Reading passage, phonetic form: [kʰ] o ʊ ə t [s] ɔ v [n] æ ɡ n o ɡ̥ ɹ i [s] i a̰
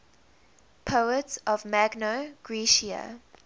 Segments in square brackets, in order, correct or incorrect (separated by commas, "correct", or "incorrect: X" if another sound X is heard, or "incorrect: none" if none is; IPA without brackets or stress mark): incorrect: pʰ, correct, incorrect: m, incorrect: ʃ